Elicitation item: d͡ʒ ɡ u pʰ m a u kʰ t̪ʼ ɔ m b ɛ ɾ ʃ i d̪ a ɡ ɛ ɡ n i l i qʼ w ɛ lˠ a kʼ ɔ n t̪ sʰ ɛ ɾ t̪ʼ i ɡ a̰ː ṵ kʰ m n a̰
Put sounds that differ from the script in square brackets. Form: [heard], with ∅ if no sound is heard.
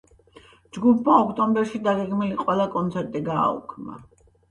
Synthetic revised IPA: d͡ʒ ɡ u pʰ m a [ɔ] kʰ t̪ʼ ɔ m b ɛ ɾ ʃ i d̪ a ɡ ɛ ɡ [m] i l i qʼ w ɛ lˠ a kʼ ɔ n t̪ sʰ ɛ ɾ t̪ʼ i ɡ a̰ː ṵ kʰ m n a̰